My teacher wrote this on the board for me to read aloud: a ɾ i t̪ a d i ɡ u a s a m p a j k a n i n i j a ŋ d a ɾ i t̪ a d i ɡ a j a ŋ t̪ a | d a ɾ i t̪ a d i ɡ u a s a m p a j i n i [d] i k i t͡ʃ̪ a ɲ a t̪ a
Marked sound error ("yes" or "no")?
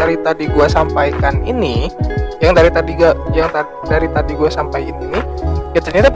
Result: yes